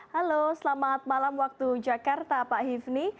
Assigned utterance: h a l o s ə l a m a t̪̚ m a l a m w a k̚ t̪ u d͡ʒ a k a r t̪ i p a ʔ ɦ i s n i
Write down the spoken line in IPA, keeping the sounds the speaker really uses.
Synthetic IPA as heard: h a l o s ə l a m a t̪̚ m a l a m w a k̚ t̪ u d͡ʒ a k a r t̪ a p a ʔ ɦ i f n i